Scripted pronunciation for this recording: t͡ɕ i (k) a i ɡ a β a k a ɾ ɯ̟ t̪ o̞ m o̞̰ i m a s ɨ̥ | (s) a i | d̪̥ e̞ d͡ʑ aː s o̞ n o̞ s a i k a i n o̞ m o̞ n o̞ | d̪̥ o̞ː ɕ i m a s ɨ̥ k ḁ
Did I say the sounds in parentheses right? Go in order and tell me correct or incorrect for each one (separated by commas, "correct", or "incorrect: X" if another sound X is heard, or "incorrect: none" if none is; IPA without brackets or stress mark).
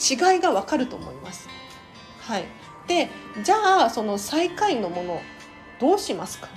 incorrect: ɡ, incorrect: h